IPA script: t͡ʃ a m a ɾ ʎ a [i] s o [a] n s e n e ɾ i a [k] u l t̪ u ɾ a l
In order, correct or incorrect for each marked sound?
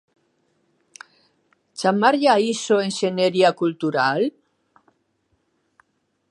correct, incorrect, correct

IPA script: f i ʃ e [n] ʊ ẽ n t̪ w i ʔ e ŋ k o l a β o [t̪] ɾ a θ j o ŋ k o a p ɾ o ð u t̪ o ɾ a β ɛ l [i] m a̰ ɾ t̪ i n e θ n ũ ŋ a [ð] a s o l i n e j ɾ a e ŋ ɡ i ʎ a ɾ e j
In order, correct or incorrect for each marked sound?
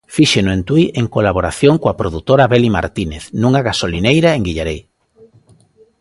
correct, incorrect, correct, incorrect

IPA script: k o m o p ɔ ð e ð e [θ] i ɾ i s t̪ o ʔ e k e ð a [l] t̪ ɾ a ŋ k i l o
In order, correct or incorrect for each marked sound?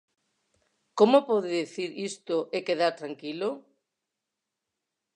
correct, incorrect

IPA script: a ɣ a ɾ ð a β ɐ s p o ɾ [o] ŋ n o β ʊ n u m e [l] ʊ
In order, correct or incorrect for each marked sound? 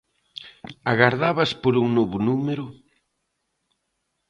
incorrect, incorrect

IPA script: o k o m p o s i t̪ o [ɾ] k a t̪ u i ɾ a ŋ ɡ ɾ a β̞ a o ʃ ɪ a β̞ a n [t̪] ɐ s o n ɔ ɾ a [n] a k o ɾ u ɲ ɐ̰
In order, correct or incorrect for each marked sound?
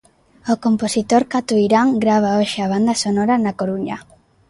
correct, incorrect, correct

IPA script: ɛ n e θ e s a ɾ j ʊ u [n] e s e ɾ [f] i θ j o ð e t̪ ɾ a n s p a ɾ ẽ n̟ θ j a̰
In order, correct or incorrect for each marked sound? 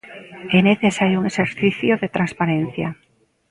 incorrect, incorrect

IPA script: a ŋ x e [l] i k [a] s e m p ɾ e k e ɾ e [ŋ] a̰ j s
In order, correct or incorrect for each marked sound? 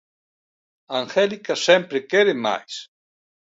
correct, correct, incorrect

